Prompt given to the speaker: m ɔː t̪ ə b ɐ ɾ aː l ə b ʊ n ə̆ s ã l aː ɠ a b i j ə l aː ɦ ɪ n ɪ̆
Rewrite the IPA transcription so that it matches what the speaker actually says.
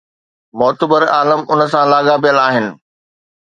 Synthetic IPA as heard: m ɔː t̪ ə b ə ɾ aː l ə m ʊ n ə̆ s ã l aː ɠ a p i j ə l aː ɦ ɪ n ɪ̆